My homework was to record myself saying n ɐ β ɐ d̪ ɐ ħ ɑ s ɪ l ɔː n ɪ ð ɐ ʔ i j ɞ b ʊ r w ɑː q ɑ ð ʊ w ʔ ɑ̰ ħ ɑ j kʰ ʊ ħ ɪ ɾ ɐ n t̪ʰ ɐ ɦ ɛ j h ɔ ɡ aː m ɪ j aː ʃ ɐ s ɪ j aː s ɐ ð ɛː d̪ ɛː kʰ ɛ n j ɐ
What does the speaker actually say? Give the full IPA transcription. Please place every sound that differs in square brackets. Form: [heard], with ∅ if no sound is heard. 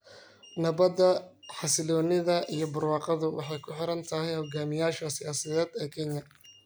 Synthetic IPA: n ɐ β ɐ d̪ ɐ ħ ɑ s ɪ l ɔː n ɪ ð ɐ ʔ i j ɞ b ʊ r w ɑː q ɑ ð ʊ w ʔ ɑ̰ ħ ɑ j kʰ ʊ ħ ɪ ɾ ɐ n t̪ʰ ɐ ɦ ɛ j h ɔ ɡ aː m ɪ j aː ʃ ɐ s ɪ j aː s ɐ ð ɛː d̪ ɛː kʰ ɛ n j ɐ